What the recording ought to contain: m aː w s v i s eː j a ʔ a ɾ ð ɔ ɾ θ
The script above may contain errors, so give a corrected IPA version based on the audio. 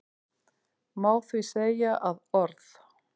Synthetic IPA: m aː w θ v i s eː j a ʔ a ð ɔ ɾ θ